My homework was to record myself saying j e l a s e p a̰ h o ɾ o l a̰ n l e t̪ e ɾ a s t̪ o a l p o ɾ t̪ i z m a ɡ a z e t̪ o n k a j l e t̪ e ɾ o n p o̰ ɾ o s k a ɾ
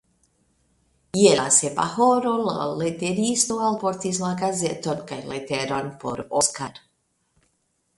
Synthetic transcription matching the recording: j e l a s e p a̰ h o ɾ o l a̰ l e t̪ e ɾ i s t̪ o a l p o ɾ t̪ i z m a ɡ a z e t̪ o n k a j l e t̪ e ɾ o n p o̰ ɾ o s k a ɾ